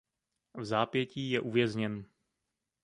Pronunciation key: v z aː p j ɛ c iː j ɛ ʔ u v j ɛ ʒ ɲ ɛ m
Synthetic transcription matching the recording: v z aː p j ɛ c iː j ɛ ʔ u v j ɛ z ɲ ɛ n